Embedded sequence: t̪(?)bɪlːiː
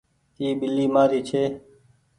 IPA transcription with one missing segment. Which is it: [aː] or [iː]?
iː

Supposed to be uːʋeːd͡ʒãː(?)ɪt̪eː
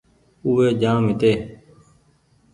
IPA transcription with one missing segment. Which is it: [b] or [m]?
m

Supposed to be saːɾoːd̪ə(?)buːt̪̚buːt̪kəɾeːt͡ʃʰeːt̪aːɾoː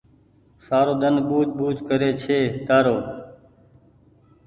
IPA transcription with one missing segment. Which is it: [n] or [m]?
n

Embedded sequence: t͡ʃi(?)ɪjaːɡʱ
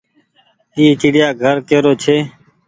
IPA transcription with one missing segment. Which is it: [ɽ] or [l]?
ɽ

